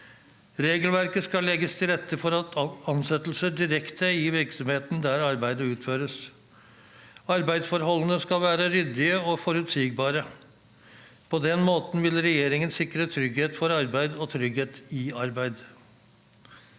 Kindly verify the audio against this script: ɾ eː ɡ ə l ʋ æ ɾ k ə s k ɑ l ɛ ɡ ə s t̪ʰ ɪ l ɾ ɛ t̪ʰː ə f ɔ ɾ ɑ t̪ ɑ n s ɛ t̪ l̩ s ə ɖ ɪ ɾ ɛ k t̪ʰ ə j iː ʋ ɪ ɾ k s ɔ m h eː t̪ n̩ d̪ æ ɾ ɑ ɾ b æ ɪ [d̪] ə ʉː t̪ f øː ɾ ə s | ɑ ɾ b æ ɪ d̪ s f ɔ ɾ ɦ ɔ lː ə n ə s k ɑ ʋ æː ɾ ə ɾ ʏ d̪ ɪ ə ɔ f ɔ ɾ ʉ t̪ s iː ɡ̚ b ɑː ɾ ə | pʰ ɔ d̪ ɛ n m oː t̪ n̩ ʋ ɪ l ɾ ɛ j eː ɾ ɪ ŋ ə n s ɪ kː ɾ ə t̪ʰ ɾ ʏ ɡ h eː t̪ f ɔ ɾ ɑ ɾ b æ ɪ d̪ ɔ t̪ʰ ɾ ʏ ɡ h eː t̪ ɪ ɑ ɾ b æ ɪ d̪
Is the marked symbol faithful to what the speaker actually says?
yes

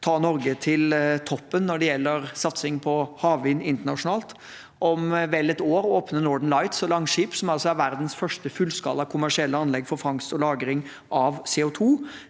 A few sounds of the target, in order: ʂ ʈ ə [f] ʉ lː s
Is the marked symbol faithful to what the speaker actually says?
yes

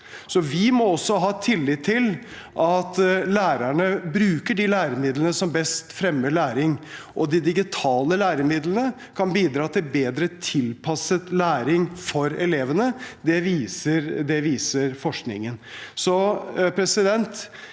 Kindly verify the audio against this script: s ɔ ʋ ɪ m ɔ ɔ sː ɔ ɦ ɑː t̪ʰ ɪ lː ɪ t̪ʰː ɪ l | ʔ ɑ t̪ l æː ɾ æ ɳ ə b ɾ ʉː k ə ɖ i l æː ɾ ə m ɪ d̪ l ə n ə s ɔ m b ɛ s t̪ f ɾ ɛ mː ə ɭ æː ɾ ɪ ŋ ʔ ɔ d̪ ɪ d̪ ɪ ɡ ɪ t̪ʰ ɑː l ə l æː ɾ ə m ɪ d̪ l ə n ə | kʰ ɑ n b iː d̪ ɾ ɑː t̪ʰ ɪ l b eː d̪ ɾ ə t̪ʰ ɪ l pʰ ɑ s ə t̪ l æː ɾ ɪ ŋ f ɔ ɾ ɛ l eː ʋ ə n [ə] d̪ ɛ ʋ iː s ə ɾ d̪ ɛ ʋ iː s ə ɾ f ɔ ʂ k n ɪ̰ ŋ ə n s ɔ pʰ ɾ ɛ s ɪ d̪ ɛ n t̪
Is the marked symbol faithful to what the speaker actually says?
yes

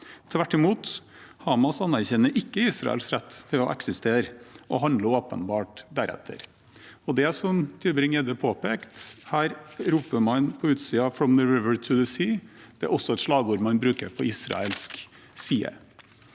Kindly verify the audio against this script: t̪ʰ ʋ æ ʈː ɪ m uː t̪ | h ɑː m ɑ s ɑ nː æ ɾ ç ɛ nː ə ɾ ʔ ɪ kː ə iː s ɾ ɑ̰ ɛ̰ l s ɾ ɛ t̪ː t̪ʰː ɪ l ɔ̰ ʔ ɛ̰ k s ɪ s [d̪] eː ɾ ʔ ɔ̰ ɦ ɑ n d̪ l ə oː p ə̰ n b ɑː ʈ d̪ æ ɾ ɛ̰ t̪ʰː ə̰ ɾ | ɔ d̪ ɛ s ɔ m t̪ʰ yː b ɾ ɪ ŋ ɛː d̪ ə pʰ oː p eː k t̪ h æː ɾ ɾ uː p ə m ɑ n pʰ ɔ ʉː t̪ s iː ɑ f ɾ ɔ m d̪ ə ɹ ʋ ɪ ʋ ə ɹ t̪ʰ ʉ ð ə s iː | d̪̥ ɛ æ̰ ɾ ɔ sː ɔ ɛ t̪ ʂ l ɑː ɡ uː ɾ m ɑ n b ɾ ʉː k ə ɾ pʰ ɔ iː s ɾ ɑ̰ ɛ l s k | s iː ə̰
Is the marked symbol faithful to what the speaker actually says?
no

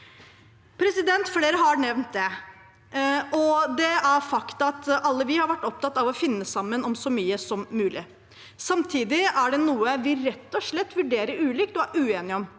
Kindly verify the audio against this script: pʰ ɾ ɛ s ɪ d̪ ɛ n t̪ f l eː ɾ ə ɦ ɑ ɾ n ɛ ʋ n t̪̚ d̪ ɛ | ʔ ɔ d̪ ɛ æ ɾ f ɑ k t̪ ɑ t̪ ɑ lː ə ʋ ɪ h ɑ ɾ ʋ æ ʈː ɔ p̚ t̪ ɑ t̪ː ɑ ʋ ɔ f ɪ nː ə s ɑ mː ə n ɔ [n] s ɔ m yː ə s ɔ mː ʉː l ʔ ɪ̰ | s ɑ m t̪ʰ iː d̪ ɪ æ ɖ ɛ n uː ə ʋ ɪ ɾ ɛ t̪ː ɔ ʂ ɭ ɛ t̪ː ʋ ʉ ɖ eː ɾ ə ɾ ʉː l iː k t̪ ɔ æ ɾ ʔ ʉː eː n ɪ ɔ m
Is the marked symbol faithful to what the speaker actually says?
no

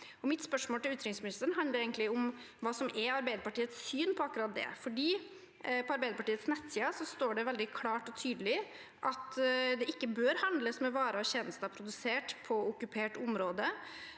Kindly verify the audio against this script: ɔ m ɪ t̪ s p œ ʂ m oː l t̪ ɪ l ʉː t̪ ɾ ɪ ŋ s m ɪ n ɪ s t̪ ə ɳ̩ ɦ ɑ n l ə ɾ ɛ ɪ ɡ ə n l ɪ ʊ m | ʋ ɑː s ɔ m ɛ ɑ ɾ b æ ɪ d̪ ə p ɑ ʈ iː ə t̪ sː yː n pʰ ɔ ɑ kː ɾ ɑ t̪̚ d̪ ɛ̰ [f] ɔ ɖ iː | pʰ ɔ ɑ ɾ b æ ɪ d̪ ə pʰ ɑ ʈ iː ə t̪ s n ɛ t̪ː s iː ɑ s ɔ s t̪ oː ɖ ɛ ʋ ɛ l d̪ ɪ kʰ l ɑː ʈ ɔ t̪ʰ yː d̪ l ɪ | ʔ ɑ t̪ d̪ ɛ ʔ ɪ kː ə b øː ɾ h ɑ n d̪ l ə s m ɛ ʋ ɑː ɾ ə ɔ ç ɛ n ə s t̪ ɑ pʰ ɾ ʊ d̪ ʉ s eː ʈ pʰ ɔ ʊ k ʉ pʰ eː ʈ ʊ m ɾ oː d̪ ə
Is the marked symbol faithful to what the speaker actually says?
yes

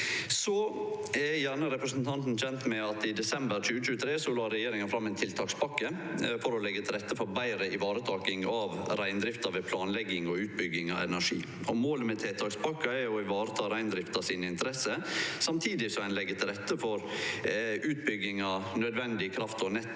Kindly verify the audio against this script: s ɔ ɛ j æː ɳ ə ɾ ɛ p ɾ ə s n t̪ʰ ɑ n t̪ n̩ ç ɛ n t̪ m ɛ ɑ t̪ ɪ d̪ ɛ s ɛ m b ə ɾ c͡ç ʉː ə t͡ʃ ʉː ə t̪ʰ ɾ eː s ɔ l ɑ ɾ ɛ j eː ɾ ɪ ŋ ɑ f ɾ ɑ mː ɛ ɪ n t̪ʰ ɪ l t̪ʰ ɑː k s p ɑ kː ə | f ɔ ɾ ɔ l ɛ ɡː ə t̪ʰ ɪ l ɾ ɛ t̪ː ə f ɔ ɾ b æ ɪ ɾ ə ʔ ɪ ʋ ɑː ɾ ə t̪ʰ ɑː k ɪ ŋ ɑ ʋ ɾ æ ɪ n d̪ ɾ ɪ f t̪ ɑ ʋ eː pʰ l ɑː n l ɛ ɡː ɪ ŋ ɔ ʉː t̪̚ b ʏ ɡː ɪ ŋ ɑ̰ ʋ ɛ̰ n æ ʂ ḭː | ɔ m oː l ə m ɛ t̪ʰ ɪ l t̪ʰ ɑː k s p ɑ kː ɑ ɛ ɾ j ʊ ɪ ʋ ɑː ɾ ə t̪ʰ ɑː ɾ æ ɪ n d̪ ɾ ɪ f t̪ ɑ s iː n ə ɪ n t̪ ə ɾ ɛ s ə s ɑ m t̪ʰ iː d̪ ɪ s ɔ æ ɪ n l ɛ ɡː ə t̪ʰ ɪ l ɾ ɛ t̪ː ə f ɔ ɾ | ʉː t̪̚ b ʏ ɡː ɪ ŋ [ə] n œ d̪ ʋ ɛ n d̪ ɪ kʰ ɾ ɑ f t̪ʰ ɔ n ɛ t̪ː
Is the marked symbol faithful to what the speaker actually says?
no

